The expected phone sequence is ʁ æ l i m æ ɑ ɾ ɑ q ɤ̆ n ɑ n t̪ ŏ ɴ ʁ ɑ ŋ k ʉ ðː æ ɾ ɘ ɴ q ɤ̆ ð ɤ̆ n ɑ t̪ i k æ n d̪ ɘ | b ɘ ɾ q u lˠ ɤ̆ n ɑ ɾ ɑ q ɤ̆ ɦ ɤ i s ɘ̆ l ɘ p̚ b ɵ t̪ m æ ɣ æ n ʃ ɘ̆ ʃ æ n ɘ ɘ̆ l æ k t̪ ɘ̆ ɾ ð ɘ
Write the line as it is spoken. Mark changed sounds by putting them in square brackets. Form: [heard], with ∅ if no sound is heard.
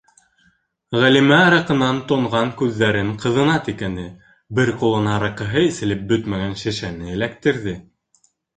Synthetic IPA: ʁ æ l i m æ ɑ ɾ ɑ q ɤ̆ n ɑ n t̪ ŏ ɴ ʁ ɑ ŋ k ʉ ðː æ ɾ ɘ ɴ q ɤ̆ ð ɤ̆ n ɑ t̪ i k æ n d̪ ɘ | b ɘ ɾ q u lˠ ɤ̆ n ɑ ɾ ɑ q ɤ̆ ɦ ɤ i s ɘ̆ l ɘ p̚ b ɵ t̪ m æ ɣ æ n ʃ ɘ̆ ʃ æ n ɘ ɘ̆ l æ k t̪ ɘ̆ ɾ ð ɘ